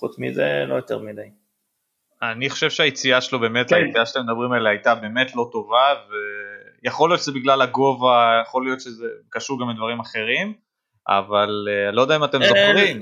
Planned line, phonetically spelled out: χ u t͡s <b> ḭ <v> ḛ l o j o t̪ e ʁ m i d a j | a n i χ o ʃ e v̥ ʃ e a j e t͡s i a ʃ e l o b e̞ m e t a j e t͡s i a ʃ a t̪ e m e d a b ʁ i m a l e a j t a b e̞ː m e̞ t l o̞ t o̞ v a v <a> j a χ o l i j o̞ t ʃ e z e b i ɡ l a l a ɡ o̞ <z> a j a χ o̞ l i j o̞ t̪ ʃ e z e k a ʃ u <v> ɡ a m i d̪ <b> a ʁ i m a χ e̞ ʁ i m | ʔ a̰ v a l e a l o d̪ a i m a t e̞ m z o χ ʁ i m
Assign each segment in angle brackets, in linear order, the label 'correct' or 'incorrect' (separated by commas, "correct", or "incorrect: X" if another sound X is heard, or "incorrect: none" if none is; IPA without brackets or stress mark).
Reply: incorrect: m, incorrect: z, incorrect: e, incorrect: v, incorrect: ʁ, incorrect: v